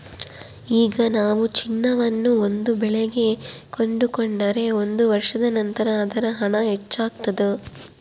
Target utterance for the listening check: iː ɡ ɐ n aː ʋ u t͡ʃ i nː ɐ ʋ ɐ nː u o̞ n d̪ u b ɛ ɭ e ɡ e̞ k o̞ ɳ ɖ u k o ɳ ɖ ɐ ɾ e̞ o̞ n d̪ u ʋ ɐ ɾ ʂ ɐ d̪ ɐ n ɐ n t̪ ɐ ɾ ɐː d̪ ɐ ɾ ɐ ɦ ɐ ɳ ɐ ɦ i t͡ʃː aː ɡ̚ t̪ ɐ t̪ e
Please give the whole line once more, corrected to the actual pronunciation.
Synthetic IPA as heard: iː ɡ ɐ n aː ʋ u t͡ʃ i nː ɐ ʋ ɐ nː u o̞ n d̪ u b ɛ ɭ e ɡ e̞ k o̞ ɳ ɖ u k o ɳ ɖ ɐ ɾ e̞ o̞ n d̪ u ʋ ɐ ɾ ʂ ɐ d̪ ɐ n ɐ n t̪ ɐ ɾ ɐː d̪ ɐ ɾ ɐ ɦ ɐ ɳ ɐ ɦ e t͡ʃː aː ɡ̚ t̪ ɐ d̪ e